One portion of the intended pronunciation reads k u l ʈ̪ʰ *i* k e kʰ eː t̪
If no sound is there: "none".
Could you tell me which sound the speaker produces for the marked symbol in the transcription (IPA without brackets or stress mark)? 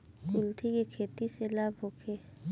i